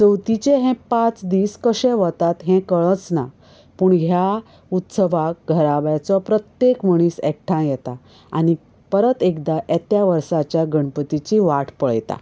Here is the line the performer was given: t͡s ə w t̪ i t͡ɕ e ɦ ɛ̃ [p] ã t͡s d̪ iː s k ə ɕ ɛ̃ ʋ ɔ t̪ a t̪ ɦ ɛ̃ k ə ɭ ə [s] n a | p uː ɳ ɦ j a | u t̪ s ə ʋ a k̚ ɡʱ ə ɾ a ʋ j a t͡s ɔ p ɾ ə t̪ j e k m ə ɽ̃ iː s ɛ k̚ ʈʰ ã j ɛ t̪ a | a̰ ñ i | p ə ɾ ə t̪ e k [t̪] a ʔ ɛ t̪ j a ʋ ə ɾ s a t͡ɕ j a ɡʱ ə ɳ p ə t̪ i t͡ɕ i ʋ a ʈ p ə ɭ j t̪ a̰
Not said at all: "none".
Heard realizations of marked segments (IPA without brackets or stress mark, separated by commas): p, t͡s, d̪